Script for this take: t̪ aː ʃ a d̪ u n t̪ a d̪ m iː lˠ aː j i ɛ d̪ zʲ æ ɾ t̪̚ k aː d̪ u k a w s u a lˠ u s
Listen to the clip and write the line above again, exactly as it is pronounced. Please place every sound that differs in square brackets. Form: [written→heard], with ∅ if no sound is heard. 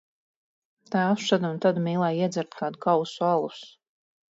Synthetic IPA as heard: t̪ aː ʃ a d̪ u n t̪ a d̪ m iː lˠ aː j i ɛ d̪ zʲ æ ɾ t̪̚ k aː d̪ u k a w s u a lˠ u s